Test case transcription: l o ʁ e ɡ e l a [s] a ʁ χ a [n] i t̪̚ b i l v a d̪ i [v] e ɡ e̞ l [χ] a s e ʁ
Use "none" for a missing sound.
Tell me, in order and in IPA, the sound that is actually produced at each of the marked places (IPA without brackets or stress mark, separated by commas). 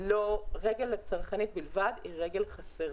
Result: t͡s, n, ʁ, χ